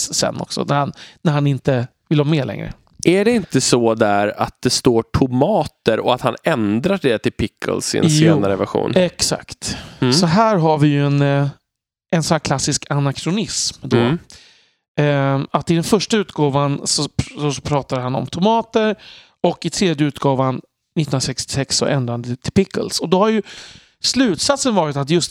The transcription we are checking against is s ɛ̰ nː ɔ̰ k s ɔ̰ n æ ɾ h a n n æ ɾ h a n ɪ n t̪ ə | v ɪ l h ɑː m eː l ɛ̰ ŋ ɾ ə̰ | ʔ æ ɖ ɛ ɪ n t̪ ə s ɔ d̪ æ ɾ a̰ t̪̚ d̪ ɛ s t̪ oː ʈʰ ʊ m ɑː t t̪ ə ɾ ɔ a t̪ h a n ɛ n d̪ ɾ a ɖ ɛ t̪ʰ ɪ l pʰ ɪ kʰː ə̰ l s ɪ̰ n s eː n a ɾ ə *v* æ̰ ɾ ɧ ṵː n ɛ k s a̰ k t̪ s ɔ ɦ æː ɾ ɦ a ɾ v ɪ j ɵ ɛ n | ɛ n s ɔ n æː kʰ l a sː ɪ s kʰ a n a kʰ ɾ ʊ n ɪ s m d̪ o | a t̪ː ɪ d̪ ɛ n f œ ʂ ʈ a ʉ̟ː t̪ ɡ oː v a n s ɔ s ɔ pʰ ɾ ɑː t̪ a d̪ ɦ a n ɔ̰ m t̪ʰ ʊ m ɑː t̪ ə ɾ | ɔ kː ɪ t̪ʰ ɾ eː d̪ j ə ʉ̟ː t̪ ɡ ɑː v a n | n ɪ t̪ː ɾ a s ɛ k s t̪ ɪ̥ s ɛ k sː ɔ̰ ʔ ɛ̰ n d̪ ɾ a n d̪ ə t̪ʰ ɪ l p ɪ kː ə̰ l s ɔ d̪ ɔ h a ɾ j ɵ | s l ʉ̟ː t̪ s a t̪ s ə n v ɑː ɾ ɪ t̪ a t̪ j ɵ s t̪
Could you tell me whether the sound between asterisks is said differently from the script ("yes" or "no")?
no